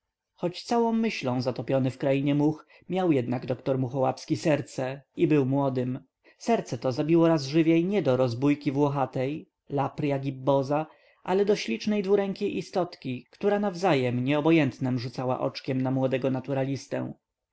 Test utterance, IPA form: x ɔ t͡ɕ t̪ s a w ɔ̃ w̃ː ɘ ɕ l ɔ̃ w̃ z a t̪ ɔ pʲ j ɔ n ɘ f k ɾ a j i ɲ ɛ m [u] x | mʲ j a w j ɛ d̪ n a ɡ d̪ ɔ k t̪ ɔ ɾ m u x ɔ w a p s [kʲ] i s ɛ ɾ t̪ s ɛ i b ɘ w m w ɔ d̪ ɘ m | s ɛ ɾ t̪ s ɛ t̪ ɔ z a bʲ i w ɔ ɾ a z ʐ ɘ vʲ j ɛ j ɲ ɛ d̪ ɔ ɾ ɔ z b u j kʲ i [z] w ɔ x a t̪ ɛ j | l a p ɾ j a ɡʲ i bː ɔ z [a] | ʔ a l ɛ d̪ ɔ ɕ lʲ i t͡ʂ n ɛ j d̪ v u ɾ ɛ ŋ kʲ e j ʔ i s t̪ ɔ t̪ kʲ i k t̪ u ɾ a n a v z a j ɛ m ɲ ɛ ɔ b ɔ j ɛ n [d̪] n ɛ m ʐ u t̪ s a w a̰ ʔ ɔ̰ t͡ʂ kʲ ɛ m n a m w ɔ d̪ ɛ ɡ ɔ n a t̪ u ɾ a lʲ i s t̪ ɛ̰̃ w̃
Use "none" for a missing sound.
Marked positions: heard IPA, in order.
u, kʲ, v, a, t̪

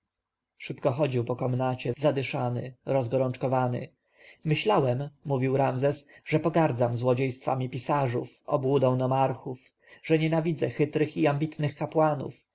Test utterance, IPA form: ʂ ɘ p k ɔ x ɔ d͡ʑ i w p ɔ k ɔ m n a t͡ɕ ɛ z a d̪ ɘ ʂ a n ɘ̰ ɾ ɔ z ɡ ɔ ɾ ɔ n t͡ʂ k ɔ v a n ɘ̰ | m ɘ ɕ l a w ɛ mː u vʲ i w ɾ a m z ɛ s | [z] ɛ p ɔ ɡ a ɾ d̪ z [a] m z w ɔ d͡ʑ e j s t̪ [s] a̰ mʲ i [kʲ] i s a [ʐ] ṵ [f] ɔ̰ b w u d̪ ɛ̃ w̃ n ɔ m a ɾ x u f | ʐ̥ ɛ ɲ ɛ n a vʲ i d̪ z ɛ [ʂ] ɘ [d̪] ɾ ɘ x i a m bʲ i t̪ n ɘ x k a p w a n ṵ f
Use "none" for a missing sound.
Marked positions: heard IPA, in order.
ʐ, a, f, pʲ, ʐ, f, x, t̪

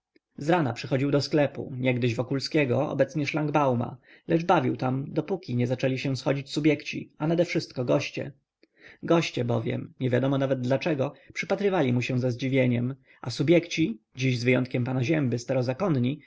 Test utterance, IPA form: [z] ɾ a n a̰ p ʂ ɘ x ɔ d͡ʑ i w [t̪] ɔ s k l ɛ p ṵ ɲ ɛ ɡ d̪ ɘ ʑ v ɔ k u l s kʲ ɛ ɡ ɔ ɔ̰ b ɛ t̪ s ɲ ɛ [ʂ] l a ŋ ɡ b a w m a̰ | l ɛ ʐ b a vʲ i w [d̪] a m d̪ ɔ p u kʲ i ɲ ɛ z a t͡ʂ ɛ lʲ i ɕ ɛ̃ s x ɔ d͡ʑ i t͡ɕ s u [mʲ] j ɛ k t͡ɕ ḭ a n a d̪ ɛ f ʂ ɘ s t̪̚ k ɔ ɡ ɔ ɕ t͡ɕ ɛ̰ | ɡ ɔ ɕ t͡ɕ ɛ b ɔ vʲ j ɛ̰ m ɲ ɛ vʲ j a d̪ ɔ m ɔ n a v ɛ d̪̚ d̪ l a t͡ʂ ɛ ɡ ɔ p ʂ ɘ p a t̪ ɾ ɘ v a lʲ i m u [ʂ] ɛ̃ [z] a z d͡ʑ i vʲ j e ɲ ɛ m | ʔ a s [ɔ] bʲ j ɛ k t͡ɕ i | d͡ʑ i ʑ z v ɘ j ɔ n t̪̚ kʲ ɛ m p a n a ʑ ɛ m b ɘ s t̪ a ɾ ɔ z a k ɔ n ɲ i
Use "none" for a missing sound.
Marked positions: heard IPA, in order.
z, d̪, ʂ, t̪, bʲ, ɕ, z, u

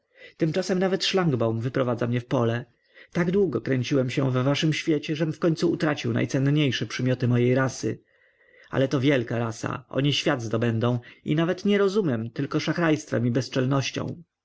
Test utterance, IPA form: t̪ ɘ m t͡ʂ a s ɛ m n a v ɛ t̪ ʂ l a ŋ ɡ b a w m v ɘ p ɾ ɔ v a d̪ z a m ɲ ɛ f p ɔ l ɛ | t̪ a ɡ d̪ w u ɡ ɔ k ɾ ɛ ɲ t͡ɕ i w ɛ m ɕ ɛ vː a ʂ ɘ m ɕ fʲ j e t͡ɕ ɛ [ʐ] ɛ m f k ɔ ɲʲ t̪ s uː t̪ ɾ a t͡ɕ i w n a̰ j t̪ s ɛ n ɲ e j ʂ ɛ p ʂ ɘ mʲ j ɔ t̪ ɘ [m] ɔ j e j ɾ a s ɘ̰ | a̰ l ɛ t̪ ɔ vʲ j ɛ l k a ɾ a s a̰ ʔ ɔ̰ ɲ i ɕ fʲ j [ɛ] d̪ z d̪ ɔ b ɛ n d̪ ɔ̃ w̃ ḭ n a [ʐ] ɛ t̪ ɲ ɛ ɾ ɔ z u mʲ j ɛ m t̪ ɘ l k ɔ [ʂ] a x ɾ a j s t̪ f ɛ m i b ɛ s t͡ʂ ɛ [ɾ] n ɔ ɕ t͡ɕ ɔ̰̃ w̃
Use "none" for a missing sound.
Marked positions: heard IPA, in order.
ʐ, m, a, v, ʂ, l

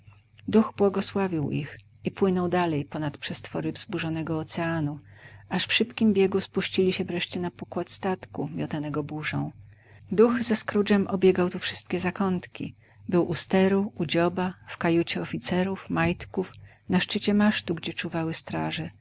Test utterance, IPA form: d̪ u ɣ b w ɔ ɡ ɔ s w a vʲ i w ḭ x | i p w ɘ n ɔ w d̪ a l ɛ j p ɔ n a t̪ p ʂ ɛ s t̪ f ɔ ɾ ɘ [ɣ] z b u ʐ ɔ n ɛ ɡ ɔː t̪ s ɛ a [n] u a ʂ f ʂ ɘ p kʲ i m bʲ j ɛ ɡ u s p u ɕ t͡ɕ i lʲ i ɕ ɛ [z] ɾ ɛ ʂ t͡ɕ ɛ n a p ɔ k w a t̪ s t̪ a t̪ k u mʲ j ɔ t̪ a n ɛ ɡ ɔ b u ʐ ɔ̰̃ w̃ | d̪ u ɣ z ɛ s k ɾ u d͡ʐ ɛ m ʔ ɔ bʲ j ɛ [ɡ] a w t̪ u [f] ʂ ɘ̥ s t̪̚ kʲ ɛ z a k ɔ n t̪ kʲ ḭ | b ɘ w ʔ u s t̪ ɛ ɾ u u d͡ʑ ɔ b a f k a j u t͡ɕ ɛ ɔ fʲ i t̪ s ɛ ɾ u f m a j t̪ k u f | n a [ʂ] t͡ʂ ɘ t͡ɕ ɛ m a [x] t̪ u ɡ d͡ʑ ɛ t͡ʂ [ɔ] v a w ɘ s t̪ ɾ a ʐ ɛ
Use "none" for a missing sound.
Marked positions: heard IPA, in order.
v, n, v, ɡ, f, ʂ, ʂ, u

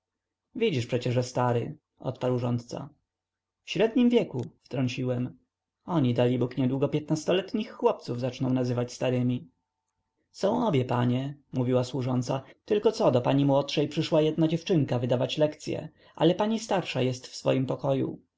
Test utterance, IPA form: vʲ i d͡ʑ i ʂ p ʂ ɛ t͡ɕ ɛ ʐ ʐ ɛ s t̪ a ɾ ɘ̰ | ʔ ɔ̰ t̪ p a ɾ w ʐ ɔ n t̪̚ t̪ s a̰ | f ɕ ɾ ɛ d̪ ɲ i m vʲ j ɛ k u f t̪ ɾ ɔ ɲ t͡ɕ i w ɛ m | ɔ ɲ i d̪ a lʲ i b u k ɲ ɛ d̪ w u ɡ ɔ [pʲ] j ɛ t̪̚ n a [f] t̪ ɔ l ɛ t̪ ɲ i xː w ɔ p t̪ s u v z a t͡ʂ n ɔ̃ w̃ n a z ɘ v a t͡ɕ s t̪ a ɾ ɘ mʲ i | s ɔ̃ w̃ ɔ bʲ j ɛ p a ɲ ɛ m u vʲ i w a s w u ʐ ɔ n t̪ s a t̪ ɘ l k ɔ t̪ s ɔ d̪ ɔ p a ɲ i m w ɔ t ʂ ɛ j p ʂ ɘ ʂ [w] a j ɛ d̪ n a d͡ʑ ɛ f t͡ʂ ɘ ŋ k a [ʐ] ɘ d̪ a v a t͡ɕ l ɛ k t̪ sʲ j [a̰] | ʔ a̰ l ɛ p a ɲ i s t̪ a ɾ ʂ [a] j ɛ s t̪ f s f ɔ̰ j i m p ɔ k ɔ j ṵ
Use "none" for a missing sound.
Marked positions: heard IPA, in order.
pʲ, s, w, v, ɛ̰, a

